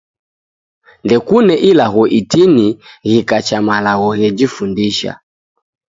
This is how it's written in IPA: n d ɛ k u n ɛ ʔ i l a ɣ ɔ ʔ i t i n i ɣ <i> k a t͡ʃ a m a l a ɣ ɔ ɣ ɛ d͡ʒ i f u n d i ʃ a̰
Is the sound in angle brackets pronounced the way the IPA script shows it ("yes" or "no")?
yes